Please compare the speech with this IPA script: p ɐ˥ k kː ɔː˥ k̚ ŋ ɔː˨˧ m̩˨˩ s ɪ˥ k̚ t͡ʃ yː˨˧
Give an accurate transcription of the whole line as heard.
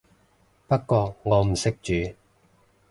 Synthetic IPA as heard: p ɐ˥ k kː ɔː˧ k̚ ŋ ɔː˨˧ m̩˨˩ s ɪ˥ k̚ t͡ʃ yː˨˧